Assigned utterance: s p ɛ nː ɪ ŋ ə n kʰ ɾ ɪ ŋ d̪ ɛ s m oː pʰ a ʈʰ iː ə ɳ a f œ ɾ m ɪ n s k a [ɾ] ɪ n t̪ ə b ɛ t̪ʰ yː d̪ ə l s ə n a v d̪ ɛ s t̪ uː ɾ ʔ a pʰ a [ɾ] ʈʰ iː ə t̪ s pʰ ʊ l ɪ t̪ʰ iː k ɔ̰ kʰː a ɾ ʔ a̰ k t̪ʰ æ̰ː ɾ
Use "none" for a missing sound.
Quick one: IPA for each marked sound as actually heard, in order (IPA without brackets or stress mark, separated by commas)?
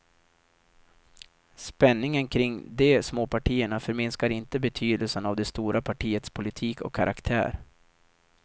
ɾ, none